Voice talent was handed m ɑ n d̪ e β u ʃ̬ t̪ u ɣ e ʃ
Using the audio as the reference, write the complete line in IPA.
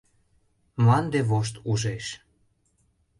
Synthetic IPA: m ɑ n d̪ e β o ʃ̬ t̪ u ʒ e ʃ